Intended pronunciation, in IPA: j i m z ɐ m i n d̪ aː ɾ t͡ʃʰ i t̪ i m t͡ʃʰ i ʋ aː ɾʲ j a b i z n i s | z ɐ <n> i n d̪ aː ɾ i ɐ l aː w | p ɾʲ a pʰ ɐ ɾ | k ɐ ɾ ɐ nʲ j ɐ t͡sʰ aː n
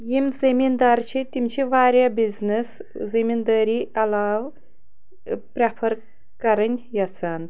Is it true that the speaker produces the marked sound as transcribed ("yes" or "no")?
no